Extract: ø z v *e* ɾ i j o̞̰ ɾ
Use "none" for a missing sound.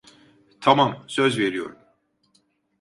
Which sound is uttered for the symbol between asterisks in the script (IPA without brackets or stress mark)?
e